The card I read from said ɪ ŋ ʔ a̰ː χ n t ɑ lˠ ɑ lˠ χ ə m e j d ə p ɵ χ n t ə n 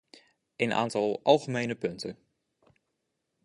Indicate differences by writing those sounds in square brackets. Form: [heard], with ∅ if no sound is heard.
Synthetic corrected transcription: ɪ [n] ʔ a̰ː [∅] n t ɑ lˠ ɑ lˠ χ ə m e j [n] ə p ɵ [∅] n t ə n